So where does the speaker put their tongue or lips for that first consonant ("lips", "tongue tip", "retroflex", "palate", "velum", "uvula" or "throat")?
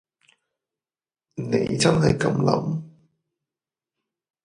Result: tongue tip